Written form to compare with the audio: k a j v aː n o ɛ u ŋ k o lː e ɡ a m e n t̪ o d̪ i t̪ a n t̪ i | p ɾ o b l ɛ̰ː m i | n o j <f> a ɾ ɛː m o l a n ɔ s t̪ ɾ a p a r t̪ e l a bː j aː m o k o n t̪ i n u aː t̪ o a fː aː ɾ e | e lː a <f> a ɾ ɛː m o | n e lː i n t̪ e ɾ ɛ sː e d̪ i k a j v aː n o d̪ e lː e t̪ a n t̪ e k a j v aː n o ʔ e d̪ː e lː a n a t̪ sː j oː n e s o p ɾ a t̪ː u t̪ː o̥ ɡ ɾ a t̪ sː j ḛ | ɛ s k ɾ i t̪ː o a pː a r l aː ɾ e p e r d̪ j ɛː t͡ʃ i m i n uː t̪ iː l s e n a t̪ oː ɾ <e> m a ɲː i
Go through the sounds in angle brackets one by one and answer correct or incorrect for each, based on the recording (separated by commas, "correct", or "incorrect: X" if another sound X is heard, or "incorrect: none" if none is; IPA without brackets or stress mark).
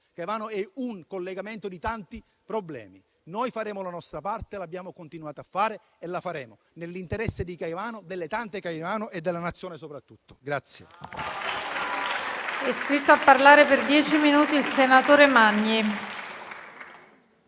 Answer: correct, correct, correct